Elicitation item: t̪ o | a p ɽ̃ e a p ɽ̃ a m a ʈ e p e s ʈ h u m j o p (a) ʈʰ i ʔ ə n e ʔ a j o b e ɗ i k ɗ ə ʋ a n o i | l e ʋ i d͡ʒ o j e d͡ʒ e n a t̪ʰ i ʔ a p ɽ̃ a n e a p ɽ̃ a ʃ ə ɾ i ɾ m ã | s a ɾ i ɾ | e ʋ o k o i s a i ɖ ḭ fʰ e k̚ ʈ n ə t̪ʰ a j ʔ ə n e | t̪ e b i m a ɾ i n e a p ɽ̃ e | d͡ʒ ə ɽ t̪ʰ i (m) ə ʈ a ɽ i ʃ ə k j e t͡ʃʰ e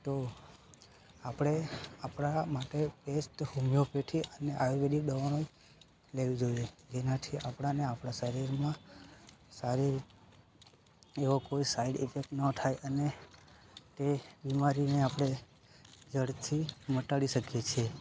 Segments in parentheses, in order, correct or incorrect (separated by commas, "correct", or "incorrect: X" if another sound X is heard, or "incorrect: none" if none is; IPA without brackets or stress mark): incorrect: e, correct